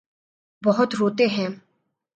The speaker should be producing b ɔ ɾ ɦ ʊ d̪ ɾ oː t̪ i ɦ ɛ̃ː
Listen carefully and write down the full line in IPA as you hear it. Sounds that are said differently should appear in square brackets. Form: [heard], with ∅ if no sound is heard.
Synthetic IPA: b ɔ [∅] ɦ ʊ [t̪] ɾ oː t̪ [e] ɦ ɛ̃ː